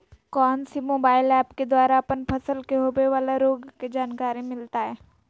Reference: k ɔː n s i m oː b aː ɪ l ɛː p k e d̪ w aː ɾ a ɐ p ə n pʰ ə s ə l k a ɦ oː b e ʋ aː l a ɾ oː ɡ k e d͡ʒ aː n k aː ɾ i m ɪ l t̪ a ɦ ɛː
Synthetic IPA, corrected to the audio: k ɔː n s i m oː b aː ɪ l ɛː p k e d̪ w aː ɾ a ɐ p ə n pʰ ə s ə l k e ɦ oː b e ʋ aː l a ɾ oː ɡ k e d͡ʒ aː n k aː ɾ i m ɪ l t̪ a ɦ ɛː